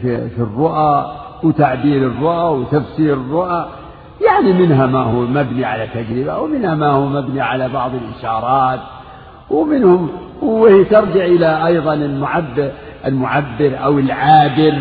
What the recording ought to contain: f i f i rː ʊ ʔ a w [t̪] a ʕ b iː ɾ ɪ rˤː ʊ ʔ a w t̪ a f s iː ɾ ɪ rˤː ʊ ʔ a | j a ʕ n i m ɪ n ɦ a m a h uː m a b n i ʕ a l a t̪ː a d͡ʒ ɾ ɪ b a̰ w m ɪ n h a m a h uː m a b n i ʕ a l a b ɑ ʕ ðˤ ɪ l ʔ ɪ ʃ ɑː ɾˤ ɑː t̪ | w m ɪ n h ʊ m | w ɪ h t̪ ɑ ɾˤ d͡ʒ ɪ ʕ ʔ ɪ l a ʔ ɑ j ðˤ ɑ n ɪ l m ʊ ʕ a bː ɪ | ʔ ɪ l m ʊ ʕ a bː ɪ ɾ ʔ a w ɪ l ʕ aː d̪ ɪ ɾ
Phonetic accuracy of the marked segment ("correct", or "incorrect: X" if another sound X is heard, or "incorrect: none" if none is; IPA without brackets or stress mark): correct